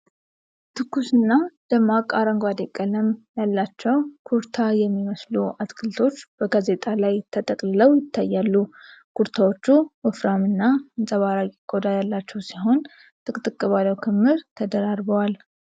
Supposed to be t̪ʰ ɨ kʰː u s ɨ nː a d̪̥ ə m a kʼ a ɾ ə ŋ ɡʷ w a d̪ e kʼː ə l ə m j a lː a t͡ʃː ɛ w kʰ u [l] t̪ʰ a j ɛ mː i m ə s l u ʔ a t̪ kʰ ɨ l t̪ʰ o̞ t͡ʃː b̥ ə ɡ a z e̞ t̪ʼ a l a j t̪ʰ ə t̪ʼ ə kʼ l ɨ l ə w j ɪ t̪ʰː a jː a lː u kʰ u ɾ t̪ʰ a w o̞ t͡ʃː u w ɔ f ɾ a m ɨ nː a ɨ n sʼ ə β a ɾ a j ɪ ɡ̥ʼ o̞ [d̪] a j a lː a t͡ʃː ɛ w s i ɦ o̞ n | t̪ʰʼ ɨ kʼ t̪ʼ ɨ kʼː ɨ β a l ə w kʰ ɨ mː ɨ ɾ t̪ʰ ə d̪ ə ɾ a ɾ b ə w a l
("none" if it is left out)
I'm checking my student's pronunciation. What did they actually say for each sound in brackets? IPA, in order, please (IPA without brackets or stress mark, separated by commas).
ɾ, d̪